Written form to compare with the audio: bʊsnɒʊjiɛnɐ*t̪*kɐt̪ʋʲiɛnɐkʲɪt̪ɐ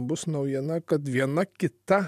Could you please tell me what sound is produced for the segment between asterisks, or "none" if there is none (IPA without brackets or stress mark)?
none